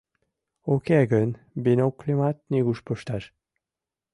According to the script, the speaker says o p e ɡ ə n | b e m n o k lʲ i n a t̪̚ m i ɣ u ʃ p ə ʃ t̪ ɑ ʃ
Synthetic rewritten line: o k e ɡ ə n | b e n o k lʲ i m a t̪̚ n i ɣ u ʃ p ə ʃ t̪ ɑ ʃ